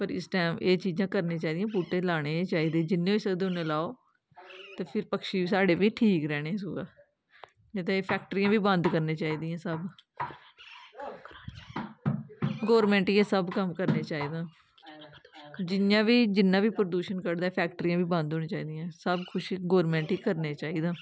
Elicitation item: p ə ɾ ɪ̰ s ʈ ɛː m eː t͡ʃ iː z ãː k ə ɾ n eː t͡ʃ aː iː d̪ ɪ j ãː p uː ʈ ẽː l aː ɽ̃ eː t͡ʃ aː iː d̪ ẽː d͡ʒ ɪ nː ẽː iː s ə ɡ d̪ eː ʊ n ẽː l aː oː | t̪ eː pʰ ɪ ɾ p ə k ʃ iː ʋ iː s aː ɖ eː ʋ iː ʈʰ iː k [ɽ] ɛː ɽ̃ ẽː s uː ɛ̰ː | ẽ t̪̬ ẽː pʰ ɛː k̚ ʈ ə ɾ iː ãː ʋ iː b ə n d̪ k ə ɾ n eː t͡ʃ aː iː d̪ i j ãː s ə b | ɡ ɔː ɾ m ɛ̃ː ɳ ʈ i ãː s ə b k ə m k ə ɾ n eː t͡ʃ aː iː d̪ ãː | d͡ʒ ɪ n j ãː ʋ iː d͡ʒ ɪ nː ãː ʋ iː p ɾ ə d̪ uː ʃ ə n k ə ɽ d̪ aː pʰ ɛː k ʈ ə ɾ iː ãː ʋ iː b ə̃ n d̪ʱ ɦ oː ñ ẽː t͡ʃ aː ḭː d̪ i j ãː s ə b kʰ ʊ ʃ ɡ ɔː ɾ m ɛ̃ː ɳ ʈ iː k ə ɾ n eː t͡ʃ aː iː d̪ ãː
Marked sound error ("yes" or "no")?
yes